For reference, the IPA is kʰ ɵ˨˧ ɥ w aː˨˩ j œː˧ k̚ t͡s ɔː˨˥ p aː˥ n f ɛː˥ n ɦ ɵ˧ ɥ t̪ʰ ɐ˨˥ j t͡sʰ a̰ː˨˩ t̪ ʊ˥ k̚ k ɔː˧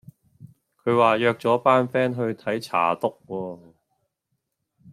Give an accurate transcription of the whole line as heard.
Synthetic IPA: kʰ ɵ˨˧ ɥ w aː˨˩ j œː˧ k̚ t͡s ɔː˨˥ p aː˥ n f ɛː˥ n ɦ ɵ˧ ɥ t̪ʰ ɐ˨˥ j t͡sʰ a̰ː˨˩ t̪ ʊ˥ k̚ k ɔː˧